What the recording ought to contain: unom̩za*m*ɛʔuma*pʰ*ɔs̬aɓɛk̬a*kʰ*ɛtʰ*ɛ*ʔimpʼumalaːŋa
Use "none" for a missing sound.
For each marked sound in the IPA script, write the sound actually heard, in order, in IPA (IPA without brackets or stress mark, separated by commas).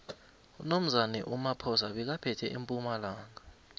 n, pʰ, pʰ, ɛ